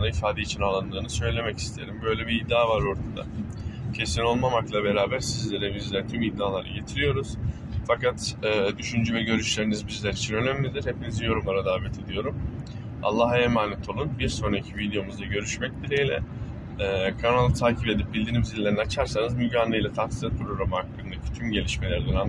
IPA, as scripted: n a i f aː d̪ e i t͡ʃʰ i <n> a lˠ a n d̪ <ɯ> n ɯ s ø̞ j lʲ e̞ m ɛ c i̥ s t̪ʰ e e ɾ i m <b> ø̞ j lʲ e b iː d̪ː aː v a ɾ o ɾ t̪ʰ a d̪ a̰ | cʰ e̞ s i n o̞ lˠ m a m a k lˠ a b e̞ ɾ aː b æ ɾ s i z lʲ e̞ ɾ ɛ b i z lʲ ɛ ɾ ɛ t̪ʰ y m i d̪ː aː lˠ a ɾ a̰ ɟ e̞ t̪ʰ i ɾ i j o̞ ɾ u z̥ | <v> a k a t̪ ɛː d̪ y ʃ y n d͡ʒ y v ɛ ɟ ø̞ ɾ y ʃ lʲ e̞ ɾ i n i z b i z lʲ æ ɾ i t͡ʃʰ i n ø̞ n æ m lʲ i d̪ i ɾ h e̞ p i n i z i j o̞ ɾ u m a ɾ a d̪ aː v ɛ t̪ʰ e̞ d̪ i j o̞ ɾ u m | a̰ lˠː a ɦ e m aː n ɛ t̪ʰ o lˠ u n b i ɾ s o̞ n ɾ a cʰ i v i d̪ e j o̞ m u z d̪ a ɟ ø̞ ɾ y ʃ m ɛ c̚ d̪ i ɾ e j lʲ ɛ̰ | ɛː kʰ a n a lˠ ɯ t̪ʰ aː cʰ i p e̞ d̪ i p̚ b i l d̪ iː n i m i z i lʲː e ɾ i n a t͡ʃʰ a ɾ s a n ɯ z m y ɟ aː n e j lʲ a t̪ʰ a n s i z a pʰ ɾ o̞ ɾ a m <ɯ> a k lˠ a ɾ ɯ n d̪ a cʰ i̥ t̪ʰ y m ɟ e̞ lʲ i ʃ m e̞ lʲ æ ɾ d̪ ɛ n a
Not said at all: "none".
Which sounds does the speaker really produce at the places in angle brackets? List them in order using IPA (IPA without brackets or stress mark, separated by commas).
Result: n, ɯː, b, f, ɯ